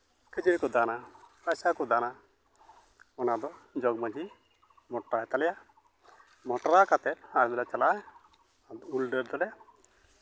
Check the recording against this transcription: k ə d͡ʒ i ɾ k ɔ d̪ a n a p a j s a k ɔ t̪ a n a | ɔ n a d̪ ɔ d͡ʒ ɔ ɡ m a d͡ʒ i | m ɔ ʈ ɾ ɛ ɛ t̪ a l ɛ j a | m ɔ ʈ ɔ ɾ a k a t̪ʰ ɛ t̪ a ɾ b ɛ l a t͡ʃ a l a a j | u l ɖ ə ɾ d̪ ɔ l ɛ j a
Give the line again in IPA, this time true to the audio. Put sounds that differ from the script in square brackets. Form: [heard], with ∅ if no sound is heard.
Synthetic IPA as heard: k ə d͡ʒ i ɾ k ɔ d̪ a n a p a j s a k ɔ [d̪] a n a | ɔ n a d̪ ɔ d͡ʒ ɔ ɡ m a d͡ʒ i | m ɔ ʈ ɾ [a] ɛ t̪ a l ɛ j a | m ɔ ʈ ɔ ɾ a k a [t̪] ɛ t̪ a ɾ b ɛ l a t͡ʃ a l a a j | u l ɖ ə ɾ d̪ ɔ l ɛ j a